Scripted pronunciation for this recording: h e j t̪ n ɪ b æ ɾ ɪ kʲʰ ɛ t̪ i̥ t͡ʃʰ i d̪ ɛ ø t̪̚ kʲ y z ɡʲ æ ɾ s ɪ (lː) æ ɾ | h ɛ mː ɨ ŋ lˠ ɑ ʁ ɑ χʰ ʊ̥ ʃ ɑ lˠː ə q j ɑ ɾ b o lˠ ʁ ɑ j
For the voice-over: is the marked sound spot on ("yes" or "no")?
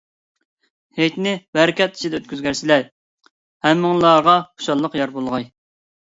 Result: no